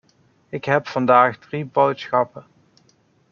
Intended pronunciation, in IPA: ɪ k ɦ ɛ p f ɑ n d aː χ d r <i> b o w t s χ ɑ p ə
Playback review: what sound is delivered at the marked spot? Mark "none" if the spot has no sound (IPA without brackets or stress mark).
i